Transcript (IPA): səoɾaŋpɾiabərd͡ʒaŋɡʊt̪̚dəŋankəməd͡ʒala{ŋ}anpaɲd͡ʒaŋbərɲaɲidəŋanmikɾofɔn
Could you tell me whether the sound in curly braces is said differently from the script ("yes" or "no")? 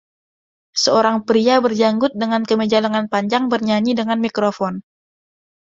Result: no